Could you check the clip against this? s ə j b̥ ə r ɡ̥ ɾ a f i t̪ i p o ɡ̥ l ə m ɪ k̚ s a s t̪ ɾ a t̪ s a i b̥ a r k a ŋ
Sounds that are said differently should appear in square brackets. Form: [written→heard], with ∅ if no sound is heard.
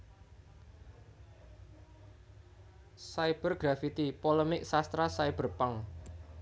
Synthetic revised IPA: s [ə→a] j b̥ ə r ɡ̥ ɾ a f i t̪ i p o [ɡ̥→∅] l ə m ɪ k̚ s a s t̪ ɾ a [t̪→∅] s a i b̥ [a→ə] r [k→p] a ŋ